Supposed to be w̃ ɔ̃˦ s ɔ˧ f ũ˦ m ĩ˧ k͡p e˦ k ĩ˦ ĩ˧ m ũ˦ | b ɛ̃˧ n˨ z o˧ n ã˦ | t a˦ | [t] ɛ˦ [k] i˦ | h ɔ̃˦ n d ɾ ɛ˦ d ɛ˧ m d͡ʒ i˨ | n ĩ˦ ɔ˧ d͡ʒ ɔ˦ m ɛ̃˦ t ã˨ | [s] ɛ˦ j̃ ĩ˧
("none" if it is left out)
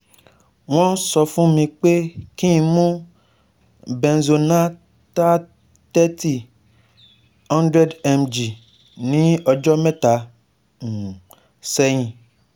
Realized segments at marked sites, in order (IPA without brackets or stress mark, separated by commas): t, t, s